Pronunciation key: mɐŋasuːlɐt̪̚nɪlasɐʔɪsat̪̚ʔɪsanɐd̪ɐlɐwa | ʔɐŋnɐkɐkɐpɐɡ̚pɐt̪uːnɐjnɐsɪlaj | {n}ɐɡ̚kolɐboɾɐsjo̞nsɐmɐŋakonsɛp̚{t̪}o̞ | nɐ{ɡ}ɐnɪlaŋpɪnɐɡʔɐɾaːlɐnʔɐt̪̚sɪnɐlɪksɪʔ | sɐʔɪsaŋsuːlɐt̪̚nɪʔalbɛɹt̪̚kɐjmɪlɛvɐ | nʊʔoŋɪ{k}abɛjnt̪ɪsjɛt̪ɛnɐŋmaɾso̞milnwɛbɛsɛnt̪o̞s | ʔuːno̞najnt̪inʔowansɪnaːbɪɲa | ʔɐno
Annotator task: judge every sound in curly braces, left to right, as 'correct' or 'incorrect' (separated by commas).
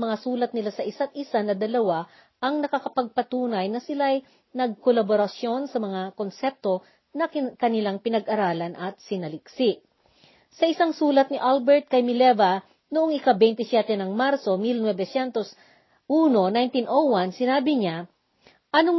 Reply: correct, correct, incorrect, correct